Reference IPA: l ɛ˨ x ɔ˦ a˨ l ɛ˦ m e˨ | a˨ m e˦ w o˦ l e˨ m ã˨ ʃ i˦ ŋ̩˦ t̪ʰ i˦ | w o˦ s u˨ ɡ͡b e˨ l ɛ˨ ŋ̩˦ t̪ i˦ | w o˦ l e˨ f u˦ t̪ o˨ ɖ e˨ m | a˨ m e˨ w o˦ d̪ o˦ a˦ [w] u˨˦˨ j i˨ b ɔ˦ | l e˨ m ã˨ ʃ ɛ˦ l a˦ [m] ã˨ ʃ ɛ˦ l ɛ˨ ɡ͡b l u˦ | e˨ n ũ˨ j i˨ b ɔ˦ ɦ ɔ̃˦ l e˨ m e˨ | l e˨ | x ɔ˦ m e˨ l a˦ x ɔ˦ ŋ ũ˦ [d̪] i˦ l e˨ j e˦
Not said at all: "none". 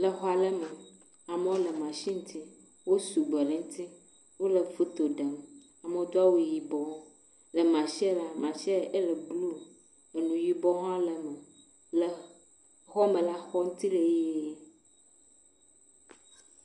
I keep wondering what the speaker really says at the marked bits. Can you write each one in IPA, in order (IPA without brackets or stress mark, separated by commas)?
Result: w, m, t̪